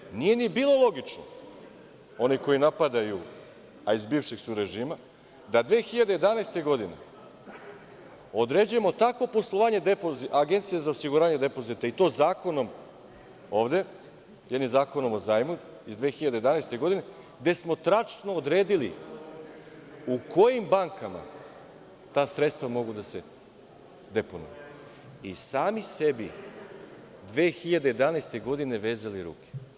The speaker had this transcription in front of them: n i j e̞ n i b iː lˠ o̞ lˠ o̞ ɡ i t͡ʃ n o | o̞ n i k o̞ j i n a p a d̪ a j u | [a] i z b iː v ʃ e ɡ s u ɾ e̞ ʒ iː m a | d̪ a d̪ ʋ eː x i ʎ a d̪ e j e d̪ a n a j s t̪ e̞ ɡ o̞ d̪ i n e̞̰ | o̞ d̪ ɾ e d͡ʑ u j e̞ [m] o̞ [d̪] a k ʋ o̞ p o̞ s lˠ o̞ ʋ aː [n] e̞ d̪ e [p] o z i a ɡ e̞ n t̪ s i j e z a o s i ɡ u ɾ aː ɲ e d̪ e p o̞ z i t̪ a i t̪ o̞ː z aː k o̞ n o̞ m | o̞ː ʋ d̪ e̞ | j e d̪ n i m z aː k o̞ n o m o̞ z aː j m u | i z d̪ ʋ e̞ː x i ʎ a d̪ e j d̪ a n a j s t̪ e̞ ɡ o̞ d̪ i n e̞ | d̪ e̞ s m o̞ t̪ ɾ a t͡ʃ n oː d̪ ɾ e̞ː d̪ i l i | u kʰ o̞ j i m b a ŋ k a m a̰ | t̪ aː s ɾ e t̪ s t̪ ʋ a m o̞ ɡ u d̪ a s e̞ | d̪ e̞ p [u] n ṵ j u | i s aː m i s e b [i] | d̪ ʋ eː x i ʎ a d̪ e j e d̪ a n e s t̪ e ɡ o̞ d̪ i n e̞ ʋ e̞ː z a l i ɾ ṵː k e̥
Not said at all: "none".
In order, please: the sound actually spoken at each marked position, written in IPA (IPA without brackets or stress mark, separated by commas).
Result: a, m, t̪, ɲ, p, o, i